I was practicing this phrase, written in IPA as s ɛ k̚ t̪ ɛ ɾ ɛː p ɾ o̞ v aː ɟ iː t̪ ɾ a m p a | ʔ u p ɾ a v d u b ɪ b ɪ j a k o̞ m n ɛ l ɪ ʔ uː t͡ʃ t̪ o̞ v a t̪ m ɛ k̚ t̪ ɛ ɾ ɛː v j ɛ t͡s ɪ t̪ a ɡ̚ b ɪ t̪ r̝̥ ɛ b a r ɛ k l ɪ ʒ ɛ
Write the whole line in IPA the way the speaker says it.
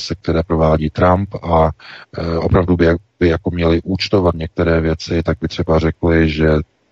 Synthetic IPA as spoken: s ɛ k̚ t̪ ɛ ɾ ɛː p ɾ o̞ v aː ɟ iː t̪ ɾ a m p a | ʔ o p ɾ a v d u b ɪ b ɪ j a k o̞ m ɲ ɛ l ɪ ʔ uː t͡ʃ t̪ o̞ v a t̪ ɲ ɛ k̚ t̪ ɛ ɾ ɛː v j ɛ t͡s ɪ t̪ a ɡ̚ b ɪ t̪ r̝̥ ɛ b a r ɛ k l ɪ ʒ ɛ